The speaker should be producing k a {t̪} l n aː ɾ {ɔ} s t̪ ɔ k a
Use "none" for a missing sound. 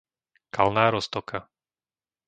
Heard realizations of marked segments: none, ɔ

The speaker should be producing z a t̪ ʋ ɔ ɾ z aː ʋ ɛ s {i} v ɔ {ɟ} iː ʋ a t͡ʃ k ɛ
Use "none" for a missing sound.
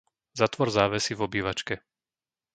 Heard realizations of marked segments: i, b

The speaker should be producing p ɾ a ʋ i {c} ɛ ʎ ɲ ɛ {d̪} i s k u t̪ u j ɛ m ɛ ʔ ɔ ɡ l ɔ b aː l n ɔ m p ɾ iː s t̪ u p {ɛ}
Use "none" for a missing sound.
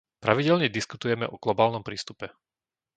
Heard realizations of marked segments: ɟ, d̪, ɛ

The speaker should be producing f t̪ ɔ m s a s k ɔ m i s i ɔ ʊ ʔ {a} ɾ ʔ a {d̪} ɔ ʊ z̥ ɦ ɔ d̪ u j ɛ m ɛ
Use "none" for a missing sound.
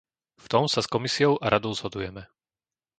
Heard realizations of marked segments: a, d̪

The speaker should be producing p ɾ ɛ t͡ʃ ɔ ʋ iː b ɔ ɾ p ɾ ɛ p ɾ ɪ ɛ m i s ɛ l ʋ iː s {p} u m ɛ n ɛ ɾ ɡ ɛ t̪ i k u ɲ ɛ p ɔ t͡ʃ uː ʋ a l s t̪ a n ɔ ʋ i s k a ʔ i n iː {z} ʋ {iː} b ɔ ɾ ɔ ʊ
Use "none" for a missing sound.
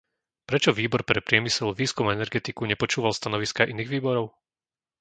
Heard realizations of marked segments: k, ɣ, iː

